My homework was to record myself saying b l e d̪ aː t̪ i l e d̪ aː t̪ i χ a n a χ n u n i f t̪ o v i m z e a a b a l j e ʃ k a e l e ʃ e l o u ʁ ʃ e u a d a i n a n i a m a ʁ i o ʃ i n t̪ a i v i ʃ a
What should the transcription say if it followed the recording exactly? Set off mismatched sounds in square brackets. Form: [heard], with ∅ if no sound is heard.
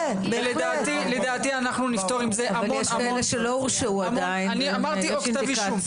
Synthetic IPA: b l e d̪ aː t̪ i l e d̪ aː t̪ i [∅] a n a χ n u n i f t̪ o [ʁ] i m z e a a [v] a l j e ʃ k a e l e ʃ e l o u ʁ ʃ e u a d a i n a n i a m a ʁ i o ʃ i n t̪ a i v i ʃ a

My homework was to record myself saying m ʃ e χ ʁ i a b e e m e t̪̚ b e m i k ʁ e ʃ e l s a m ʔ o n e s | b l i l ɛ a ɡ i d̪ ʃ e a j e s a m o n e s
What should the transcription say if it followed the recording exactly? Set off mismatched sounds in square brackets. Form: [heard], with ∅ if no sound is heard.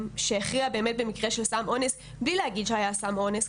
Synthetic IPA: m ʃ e χ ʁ i a b e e m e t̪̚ b e m i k ʁ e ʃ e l s a m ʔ o n e s | b l i l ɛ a ɡ i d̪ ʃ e a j [a] s a m o n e s

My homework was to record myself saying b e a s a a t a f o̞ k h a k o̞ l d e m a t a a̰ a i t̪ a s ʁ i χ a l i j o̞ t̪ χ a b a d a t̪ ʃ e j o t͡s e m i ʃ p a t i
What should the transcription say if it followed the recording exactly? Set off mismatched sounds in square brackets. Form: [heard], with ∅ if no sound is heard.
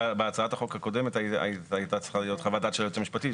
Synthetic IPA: b e a [t͡s] a a t a [χ] o̞ k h a k o̞ [∅] d e m [e] t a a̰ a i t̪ a [t͡s] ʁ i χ a l i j o̞ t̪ χ a [v] a d a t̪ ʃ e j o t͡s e m i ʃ p a t i

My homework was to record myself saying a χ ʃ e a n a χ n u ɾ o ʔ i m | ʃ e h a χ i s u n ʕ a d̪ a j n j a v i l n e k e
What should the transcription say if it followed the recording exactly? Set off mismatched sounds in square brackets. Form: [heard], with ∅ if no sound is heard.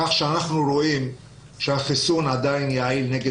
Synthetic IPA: a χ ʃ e a n a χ n u ɾ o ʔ i m | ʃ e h a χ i s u n ʕ a d̪ a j n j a [ʕ] i l n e [ɡ] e

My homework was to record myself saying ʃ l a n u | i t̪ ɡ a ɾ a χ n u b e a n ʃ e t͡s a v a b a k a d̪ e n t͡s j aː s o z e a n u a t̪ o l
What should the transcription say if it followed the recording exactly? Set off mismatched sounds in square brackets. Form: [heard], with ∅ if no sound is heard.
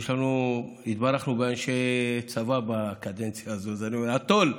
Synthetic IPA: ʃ l a n u | i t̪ [b] a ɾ a χ n u b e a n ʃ e t͡s a v a b a k a d̪ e n t͡s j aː [z] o z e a n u a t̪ o l

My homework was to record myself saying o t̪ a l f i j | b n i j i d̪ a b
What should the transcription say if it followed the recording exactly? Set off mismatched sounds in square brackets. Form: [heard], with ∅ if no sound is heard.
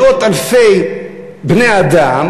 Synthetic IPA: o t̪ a l f [e] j | b n [e] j [a] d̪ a [m]

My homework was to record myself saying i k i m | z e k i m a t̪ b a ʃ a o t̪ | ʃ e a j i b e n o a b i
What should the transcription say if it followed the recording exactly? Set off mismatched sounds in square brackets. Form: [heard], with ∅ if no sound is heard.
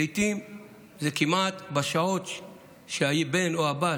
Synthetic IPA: i [t] i m | z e k i m a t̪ b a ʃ a o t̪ | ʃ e a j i b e n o a b [a]

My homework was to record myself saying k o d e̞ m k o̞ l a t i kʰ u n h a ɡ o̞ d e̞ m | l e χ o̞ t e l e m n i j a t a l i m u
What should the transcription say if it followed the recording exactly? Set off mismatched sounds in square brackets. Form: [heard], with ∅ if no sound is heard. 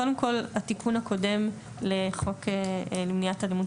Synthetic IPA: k o d e̞ m k o̞ l a t i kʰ u n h a [k] o̞ d e̞ m | l e χ o̞ [k] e l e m n i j a t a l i m u

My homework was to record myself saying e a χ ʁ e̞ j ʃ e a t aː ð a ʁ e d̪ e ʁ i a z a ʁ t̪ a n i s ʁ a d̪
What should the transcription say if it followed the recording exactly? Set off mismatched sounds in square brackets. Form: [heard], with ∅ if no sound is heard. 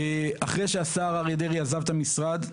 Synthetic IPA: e a χ ʁ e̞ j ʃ e a [s] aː [ʁ] a ʁ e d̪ e ʁ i a z a [v] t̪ a [m] i s ʁ a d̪

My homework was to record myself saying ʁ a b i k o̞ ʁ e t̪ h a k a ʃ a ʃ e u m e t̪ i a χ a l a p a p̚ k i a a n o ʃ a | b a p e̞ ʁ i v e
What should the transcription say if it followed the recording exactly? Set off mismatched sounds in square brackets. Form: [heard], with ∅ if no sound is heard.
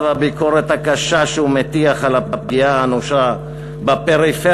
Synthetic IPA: [v] a b i k o̞ ʁ e t̪ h a k a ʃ a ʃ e u m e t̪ i a χ a l a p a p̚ [ɡ] i a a n o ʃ a | b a p e̞ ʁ i [f] e

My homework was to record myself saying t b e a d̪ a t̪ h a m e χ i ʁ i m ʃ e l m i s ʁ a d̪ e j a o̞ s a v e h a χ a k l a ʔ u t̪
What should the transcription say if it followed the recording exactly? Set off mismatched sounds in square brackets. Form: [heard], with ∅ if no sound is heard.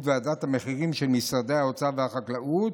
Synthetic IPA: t [v] e a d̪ a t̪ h a m e χ i ʁ i m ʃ e l m i s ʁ a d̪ e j a o̞ [t͡s] a v e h a χ a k l a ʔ u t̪

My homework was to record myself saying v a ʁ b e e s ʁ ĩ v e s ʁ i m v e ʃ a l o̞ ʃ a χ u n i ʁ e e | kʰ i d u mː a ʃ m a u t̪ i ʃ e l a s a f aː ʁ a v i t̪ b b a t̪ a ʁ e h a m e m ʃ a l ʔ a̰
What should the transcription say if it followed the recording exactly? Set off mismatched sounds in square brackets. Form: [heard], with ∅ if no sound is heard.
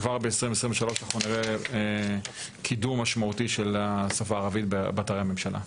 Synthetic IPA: v a ʁ b e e s ʁ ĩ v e s ʁ i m v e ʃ a l o̞ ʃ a χ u n i ʁ e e | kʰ i d u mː a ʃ m a u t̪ i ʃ e l a s a f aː ʁ a v i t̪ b b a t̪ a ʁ e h a m e m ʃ a l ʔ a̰

